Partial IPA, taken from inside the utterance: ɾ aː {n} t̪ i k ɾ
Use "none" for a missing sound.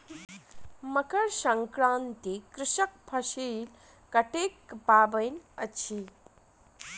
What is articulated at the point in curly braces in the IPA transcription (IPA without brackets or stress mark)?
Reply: n